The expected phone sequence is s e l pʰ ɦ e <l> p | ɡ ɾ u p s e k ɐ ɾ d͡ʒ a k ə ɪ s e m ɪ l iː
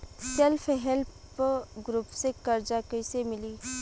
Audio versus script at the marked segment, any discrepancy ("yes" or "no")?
no